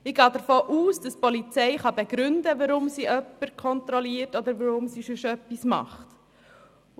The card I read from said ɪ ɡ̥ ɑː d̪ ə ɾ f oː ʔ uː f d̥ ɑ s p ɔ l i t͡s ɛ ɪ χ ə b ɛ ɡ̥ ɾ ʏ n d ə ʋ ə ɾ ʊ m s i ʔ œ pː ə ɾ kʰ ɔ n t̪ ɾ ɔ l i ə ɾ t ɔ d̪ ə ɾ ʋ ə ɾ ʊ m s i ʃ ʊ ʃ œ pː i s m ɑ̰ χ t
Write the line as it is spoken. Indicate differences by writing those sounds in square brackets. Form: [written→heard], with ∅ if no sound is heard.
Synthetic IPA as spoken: ɪ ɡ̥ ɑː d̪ ə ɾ f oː ʔ uː [f→s] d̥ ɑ s p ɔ l i t͡s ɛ ɪ χ [ə→ɑ] b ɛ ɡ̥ ɾ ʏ n d ə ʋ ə ɾ ʊ m s i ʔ œ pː ə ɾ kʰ ɔ n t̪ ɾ ɔ l i ə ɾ t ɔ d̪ ə ɾ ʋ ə ɾ ʊ m s i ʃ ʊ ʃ œ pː i s m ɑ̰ χ t